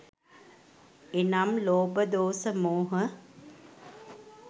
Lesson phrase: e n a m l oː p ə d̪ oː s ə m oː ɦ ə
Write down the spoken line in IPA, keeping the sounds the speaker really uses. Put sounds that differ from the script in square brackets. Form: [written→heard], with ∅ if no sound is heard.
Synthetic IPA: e n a m l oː [p→b] ə d̪ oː s ə m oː ɦ ə

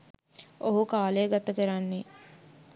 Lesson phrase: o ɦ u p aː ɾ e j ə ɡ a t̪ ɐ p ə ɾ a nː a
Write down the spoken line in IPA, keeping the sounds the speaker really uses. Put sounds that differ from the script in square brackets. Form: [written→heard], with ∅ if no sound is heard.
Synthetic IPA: o ɦ u [p→k] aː [ɾ→l] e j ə ɡ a t̪ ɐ [p→k] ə ɾ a nː [a→e]

